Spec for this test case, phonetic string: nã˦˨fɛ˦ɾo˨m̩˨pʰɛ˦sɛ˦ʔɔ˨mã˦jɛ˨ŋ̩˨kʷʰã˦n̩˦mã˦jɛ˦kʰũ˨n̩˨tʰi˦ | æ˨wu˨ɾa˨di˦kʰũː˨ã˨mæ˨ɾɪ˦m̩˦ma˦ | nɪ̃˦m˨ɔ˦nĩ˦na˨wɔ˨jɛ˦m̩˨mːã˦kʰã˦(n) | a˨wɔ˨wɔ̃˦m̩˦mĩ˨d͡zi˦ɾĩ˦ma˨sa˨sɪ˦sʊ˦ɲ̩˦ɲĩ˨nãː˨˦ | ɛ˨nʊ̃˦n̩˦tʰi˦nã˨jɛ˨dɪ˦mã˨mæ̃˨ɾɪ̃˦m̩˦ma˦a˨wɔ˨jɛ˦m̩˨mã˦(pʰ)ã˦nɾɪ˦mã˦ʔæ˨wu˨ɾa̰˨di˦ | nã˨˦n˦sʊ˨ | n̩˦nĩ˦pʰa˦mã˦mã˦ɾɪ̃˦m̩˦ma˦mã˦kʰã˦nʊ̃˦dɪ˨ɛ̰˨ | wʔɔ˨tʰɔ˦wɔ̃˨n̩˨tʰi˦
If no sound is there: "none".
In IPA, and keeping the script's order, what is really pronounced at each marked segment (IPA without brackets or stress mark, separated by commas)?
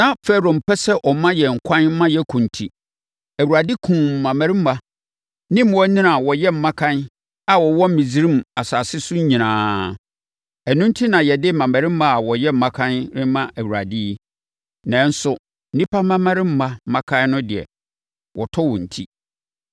n, kʰ